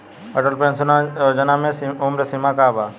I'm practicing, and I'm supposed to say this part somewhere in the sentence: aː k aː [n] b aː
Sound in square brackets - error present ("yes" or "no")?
yes